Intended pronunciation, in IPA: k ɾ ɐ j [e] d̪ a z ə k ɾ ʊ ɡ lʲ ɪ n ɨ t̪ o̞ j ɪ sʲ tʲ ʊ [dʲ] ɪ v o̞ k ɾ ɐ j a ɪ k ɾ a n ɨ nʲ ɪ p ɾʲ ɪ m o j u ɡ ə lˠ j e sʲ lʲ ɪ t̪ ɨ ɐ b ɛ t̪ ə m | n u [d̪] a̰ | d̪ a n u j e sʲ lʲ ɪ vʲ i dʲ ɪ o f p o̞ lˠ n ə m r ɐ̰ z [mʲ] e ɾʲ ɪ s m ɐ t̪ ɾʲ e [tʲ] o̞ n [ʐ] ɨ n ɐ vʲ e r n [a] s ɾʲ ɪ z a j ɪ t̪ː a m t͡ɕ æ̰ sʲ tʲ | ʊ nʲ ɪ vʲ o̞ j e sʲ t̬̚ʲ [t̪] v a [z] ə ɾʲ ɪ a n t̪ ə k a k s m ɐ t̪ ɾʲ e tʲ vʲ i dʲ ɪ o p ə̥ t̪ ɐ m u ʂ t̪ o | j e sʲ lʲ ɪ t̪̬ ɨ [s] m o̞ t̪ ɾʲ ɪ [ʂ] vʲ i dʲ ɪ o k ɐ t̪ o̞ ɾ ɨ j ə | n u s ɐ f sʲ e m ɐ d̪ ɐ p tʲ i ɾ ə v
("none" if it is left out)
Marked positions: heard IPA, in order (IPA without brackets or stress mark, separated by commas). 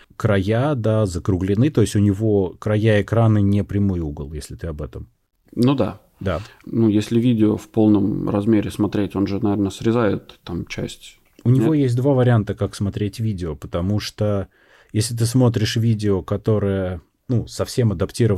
a, nʲ, d̪, mʲ, tʲ, ʐ, ə, d̪, v, s, ʂ